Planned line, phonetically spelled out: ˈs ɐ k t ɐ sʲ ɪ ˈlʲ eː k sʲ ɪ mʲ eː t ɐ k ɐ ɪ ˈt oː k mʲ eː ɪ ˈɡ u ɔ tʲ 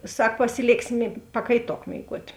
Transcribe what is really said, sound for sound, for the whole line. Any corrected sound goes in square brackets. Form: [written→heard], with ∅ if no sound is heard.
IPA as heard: ˈs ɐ k [t→p] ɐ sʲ ɪ ˈlʲ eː k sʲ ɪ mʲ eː [t→p] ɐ k ɐ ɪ ˈt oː k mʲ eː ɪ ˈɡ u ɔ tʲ